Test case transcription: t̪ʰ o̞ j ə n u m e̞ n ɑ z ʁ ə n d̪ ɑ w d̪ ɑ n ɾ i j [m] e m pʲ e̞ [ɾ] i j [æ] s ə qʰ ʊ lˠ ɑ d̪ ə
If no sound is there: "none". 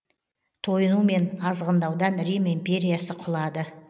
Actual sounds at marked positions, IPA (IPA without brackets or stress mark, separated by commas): m, ɾ, a